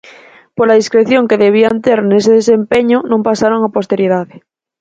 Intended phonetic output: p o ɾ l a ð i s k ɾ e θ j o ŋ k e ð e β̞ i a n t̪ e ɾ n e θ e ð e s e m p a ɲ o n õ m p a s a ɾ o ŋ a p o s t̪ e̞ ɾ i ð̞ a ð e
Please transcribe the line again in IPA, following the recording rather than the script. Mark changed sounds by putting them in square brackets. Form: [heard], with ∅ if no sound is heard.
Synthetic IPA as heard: p o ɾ l a ð i s k ɾ e θ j o ŋ k e ð e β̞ i a n t̪ e ɾ n e [s] e ð e s e m p [e] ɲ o n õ m p a s a ɾ o ŋ a p o s t̪ e̞ ɾ i ð̞ a ð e